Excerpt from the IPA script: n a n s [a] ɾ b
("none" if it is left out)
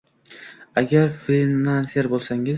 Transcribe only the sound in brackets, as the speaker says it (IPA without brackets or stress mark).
e